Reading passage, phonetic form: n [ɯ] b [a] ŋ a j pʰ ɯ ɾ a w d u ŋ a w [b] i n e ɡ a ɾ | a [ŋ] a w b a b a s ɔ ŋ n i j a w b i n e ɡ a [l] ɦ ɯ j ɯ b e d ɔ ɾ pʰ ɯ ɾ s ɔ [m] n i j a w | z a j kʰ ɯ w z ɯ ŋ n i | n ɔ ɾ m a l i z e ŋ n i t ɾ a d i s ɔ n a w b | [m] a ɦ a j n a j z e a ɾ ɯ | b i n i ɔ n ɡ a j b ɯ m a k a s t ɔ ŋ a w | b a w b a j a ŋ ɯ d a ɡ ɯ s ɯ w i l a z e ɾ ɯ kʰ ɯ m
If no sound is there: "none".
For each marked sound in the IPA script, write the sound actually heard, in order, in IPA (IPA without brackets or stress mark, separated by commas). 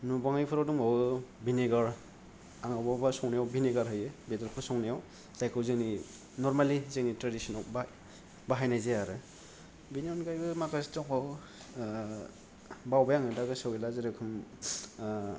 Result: u, a, b, ŋ, ɾ, ŋ, b